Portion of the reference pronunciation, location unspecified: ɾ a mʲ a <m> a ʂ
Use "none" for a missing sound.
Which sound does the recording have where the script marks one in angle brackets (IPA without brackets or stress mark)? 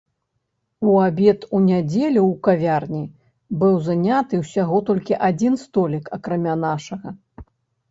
n